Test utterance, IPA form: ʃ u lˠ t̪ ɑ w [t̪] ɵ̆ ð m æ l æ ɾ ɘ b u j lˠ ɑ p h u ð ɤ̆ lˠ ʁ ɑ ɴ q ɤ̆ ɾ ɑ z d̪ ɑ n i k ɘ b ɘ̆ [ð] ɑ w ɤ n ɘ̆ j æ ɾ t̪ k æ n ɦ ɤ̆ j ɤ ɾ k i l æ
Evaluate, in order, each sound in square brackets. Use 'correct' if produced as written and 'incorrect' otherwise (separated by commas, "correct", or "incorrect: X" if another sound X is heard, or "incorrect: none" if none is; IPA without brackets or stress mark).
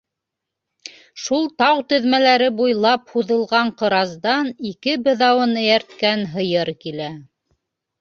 correct, correct